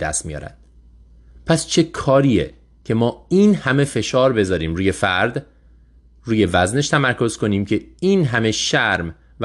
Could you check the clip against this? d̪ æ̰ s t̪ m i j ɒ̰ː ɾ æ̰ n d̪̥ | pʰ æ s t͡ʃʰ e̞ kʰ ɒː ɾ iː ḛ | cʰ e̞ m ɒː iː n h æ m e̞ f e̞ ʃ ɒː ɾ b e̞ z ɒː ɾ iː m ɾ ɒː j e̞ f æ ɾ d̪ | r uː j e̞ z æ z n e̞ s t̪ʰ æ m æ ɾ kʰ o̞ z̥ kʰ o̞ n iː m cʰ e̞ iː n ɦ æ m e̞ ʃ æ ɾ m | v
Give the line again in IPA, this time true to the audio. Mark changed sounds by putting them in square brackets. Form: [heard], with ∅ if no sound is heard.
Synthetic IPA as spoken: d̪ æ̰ s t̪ m i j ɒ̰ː ɾ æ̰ n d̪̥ | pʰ æ s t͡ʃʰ e̞ kʰ ɒː ɾ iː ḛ | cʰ e̞ m ɒː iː n h æ m e̞ f e̞ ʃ ɒː ɾ b e̞ z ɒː ɾ iː m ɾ [uː] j e̞ f æ ɾ d̪ | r uː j e̞ [v] æ z n e̞ [ʃ] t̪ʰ æ m æ ɾ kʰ o̞ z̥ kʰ o̞ n iː m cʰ e̞ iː n ɦ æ m e̞ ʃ æ ɾ m | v